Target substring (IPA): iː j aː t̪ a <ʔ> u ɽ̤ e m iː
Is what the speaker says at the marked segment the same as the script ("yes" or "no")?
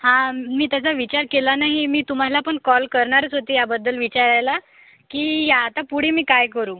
no